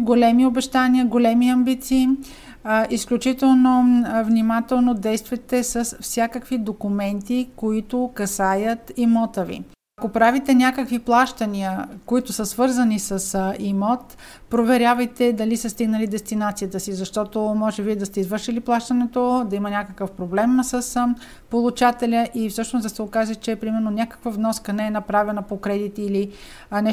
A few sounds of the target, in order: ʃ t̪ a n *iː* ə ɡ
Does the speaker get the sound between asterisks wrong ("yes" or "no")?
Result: yes